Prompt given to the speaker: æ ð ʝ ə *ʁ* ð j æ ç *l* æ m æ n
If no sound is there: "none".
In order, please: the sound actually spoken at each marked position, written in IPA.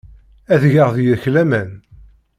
ʁ, l

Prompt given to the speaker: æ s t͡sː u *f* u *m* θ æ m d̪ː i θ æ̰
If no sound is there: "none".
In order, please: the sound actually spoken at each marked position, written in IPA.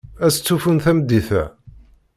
f, n

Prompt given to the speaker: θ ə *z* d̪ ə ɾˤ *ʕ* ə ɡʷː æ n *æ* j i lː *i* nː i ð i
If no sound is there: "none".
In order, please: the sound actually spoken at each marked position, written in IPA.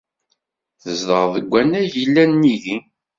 z, ð, æ, æ

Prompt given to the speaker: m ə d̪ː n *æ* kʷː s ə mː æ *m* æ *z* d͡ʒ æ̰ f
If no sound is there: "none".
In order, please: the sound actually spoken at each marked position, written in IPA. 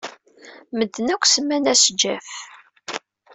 æ, n, s

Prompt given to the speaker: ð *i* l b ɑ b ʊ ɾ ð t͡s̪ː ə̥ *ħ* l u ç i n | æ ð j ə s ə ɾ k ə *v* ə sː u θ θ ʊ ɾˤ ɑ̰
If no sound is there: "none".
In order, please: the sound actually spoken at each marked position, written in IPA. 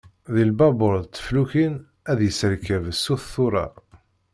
i, f, v

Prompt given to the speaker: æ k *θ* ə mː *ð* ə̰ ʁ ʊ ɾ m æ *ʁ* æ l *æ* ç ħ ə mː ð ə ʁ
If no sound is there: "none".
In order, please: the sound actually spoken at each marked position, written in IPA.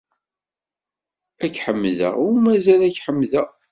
ħ, ð, z, æ

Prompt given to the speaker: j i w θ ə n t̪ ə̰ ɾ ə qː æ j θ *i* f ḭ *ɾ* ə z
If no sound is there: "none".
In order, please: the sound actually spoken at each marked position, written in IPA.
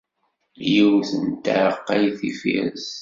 i, ɾ

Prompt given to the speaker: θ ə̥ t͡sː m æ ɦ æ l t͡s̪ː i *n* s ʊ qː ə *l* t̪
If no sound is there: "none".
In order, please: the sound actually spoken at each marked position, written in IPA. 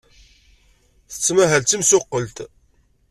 m, l

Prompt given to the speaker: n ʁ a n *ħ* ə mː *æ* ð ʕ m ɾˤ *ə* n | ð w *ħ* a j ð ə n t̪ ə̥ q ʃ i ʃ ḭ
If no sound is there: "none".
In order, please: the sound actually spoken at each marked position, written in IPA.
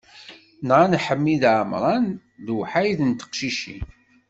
ħ, i, ɑ, ħ

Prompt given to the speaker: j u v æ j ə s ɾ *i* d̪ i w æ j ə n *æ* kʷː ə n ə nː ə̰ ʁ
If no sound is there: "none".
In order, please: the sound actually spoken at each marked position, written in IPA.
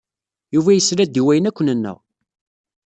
æ, æ

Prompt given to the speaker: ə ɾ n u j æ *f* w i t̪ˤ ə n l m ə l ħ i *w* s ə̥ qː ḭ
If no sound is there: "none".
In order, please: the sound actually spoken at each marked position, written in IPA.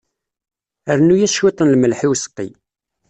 ʃ, w

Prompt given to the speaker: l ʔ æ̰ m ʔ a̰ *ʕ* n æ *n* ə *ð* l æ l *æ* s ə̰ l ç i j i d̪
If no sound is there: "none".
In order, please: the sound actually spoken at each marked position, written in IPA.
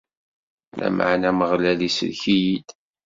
ʕ, m, ʁ, i

